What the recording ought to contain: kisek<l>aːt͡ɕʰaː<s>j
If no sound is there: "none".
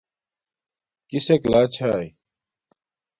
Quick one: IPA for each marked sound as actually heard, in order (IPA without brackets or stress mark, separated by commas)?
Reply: l, none